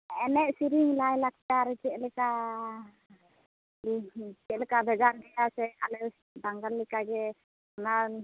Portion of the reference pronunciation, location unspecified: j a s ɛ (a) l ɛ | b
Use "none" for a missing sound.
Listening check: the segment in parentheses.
a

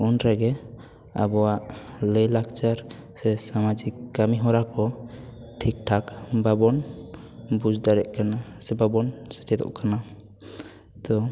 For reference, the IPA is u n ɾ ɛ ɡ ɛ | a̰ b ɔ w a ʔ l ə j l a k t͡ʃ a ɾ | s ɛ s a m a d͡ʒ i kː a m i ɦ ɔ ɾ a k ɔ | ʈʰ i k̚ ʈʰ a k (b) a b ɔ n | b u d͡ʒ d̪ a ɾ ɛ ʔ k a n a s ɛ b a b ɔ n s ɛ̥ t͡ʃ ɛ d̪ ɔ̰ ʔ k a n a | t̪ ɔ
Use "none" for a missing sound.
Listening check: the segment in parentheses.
b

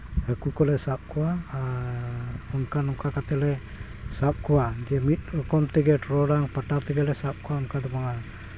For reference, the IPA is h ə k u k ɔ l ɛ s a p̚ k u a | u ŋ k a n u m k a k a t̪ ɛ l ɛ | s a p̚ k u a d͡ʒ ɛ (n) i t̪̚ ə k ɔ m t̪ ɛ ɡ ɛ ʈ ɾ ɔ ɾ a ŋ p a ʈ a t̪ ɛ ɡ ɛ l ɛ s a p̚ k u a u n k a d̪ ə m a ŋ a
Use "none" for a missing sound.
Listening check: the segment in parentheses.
m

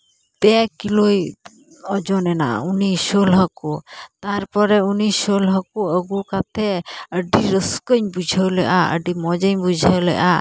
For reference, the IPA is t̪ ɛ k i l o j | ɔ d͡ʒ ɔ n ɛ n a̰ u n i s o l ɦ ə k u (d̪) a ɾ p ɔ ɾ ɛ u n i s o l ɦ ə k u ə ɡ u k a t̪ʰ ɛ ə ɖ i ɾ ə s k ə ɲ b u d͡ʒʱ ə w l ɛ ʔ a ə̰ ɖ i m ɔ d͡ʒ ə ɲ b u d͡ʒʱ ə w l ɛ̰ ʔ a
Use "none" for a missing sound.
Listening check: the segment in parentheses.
t̪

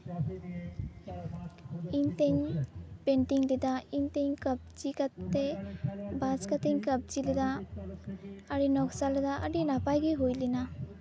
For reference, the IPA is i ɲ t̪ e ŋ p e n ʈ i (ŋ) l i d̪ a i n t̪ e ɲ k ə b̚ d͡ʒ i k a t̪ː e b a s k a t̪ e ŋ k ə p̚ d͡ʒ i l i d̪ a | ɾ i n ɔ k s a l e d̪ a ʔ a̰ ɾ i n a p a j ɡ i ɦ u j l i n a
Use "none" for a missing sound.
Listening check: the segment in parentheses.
ŋ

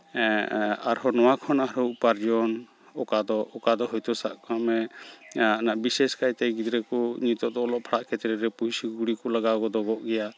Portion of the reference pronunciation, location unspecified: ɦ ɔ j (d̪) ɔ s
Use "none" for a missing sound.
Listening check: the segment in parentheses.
t̪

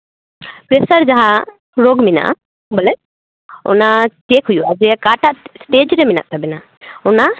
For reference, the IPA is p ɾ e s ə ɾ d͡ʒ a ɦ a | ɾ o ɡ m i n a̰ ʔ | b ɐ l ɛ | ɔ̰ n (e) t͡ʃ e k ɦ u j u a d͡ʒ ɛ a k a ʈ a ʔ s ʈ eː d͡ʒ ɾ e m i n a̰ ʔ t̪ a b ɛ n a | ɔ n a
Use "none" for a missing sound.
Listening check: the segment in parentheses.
a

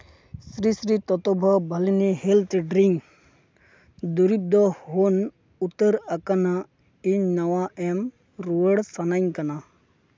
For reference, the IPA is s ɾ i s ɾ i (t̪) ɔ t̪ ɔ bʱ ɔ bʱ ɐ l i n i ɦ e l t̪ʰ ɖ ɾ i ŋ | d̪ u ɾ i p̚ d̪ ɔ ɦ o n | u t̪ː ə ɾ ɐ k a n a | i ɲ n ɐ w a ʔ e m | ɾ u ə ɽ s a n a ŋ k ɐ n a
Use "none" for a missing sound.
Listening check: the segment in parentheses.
t̪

